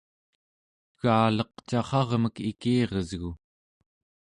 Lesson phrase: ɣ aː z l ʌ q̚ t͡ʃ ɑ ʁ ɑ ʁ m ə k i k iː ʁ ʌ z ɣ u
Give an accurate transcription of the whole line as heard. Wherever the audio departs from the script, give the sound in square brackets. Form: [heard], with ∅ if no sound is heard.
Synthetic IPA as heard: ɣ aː [∅] l ʌ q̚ t͡ʃ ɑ [χ] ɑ ʁ m ə k i k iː ʁ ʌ z ɣ u